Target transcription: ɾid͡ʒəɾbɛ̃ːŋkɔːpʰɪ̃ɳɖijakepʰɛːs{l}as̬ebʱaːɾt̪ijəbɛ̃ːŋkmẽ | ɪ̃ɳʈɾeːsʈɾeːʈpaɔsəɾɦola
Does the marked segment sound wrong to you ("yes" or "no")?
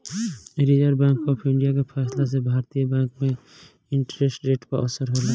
no